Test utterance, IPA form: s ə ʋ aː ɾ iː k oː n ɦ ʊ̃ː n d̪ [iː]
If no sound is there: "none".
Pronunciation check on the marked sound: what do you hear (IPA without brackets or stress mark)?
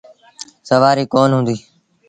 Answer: iː